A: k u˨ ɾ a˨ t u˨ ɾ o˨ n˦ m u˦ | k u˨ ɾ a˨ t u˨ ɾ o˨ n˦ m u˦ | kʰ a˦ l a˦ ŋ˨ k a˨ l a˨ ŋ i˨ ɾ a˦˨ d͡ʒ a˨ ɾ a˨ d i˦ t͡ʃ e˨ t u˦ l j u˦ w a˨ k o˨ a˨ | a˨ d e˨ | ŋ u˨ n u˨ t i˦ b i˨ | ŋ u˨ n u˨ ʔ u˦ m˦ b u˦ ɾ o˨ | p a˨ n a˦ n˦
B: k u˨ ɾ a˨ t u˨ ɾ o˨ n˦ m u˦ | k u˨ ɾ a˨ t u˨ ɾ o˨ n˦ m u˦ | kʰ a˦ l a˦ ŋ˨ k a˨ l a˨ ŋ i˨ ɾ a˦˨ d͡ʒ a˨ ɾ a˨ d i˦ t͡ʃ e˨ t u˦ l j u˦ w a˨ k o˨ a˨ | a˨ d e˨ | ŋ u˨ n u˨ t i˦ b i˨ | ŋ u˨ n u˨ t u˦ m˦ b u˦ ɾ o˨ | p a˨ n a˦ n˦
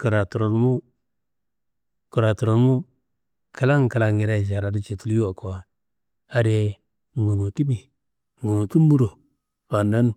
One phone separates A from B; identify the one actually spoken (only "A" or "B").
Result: B